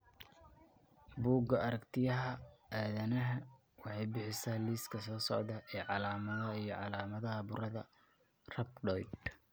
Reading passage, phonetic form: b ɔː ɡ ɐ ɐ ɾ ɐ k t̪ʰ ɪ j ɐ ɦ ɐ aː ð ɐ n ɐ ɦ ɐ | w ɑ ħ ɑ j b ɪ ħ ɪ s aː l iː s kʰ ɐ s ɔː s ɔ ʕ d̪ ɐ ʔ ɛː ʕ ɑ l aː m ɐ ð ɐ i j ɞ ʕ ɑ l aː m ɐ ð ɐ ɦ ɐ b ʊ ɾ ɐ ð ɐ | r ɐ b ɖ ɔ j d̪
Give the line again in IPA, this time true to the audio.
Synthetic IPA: b uː ɡ ɐ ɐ ɾ ɐ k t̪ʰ ɪ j ɐ ɦ ɐ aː ð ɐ n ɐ ɦ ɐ | w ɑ ħ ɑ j b ɪ ħ ɪ s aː l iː s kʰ ɐ s ɔː s ɔ ʕ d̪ ɐ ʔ ɛː ʕ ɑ l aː m ɐ ð ɐ i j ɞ ʕ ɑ l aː m ɐ ð ɐ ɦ ɐ b ʊ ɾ ɐ ð ɐ | r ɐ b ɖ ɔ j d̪